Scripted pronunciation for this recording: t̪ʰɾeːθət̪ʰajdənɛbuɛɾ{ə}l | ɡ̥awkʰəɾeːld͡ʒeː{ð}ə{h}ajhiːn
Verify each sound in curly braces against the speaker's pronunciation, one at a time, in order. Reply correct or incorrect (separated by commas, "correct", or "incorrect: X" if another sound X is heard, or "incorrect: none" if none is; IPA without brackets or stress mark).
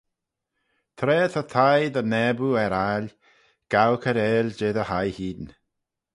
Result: incorrect: a, correct, correct